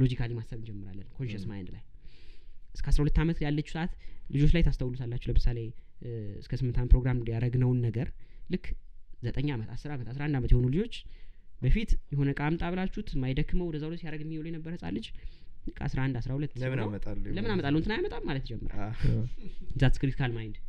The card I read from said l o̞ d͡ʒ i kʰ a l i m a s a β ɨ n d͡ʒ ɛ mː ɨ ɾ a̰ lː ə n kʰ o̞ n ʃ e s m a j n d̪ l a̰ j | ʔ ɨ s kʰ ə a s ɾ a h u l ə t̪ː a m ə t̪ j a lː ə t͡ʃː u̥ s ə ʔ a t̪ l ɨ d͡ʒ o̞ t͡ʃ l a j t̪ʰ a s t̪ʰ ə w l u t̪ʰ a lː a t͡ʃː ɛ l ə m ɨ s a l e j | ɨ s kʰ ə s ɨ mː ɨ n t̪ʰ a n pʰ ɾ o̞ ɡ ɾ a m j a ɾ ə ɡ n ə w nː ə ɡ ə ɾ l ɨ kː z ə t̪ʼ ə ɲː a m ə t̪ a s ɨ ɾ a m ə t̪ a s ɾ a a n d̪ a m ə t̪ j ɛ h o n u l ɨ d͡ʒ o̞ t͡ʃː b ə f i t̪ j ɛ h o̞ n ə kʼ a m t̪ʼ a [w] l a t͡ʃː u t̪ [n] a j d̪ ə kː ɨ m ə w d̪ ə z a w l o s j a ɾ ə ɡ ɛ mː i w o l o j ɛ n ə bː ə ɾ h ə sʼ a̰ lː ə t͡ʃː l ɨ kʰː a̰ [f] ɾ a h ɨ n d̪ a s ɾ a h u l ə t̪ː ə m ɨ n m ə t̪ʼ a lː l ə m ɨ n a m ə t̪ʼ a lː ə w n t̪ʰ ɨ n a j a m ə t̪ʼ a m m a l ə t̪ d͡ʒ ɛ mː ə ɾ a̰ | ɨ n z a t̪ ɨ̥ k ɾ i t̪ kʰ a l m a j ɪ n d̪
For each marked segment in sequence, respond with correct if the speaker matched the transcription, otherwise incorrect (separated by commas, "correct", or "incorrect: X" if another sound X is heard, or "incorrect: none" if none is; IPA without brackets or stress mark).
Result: incorrect: β, incorrect: m, incorrect: s